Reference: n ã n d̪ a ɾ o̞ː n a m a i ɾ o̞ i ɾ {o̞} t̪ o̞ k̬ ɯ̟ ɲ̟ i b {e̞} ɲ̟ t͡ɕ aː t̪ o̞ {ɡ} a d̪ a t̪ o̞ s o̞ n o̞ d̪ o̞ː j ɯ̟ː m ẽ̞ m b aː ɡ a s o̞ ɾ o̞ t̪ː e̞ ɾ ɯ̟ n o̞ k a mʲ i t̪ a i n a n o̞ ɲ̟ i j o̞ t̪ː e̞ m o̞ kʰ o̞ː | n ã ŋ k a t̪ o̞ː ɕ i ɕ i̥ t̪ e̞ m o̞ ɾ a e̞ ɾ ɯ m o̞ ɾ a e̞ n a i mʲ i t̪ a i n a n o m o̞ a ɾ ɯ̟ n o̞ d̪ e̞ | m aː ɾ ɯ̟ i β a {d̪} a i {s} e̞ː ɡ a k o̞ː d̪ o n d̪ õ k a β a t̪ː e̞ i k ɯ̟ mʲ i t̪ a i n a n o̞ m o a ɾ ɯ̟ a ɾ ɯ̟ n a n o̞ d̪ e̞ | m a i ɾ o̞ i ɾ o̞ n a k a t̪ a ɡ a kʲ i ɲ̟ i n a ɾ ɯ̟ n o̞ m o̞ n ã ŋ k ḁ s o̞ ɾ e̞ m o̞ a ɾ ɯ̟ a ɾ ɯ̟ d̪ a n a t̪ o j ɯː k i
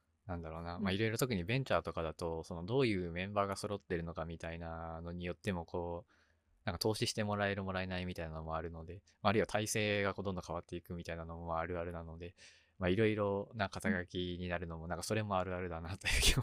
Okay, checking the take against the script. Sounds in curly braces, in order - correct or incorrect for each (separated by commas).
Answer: correct, incorrect, incorrect, incorrect, correct